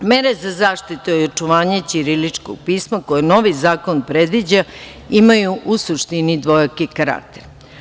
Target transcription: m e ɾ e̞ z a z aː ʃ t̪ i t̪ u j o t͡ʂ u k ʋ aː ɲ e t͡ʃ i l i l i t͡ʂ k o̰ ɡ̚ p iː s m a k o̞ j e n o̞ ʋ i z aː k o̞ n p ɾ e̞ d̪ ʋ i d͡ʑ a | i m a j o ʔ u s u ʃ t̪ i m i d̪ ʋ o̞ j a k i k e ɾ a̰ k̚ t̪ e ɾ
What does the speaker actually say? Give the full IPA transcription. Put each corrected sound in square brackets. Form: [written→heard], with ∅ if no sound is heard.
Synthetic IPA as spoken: m e ɾ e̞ z a z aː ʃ t̪ i t̪ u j o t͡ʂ u [k→∅] ʋ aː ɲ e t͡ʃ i [l→ɾ] i l i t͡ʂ k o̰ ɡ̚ p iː s m a k o̞ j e n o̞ ʋ i z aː k o̞ n p ɾ e̞ d̪ ʋ i d͡ʑ a | i m a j [o→u] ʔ u s u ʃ t̪ i [m→n] i d̪ ʋ o̞ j a k i k [e→a] ɾ a̰ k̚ t̪ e ɾ